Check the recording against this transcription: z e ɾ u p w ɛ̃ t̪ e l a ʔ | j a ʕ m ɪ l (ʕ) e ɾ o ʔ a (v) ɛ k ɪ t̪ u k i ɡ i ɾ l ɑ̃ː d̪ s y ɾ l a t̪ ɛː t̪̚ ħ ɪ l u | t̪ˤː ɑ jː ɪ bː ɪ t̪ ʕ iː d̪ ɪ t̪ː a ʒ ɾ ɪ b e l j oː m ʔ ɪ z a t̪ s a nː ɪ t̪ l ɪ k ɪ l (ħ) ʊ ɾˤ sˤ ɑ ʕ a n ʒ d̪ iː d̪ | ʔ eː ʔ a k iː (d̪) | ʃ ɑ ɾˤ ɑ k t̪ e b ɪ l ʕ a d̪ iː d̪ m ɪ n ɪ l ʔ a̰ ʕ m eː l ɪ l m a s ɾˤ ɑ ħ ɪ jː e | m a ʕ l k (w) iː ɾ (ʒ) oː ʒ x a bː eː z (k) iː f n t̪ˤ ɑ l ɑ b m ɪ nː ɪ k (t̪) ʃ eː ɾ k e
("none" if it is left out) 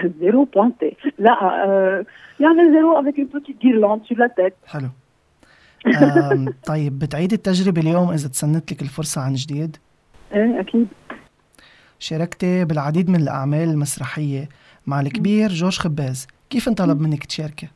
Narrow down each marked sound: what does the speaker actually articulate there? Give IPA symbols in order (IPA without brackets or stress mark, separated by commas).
z, v, f, d̪, b, ʒ, k, t̪